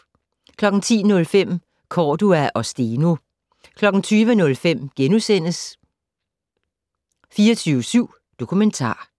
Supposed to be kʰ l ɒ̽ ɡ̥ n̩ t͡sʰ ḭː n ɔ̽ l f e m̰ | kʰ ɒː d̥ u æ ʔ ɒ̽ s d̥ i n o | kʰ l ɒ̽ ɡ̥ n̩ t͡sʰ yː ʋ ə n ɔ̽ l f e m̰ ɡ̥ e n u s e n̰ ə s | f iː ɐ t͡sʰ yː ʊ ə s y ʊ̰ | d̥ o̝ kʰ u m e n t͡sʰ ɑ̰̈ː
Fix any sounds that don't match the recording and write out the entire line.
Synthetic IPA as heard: kʰ l ɒ̽ ɡ̥ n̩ t͡sʰ ḭː n ɔ̽ l f e m̰ | kʰ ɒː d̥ u æ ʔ ɒ̽ s d̥ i n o | kʰ l ɒ̽ ɡ̥ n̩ t͡sʰ yː ʋ ə n ɔ̽ l f e m̰ ɡ̥ e n u s e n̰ ə s | f iː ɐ t͡sʰ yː ʊ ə s y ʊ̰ | d̥ o̝ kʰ u m e n t͡sʰ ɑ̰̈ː